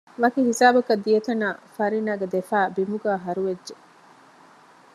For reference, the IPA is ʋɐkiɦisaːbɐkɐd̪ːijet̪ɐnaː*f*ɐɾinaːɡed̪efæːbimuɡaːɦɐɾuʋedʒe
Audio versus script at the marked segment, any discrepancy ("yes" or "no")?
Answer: no